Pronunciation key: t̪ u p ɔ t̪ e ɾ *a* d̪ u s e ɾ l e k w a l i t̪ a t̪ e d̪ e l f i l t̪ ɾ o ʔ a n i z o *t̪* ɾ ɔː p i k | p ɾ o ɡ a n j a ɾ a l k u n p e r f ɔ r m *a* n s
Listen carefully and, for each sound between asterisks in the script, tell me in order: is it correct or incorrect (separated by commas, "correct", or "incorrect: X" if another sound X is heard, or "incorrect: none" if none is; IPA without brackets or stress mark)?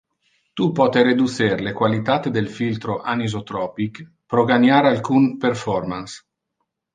incorrect: e, correct, correct